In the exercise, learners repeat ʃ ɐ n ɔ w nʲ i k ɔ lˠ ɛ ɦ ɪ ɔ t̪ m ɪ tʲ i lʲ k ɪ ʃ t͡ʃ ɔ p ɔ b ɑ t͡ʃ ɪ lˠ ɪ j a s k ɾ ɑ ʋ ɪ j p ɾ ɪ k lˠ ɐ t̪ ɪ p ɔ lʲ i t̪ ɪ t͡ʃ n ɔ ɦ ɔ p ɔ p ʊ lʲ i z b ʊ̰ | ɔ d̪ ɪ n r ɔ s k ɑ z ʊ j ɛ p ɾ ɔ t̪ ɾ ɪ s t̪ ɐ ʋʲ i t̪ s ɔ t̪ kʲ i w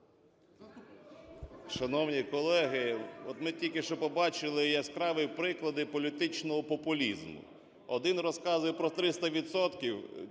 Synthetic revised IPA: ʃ ɐ n ɔ w nʲ i k ɔ lˠ ɛ ɦ ɪ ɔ t̪ m ɪ tʲ i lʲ k ɪ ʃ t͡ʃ ɔ p ɔ b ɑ t͡ʃ ɪ lˠ ɪ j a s k ɾ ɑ ʋ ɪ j p ɾ ɪ k lˠ ɐ d̪ ɪ p ɔ lʲ i t̪ ɪ t͡ʃ n ɔ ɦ ɔ p ɔ p ʊ lʲ i z m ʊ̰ | ɔ d̪ ɪ n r ɔ s k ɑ z ʊ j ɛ p ɾ ɔ t̪ ɾ ɪ s t̪ ɐ ʋʲ i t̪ s ɔ t̪ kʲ i w